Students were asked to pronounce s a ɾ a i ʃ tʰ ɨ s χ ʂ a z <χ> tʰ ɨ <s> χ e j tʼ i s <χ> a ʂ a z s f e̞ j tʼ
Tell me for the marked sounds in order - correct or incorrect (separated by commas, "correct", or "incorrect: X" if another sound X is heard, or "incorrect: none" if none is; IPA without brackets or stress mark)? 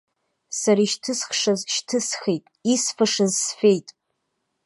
incorrect: ʃ, correct, incorrect: f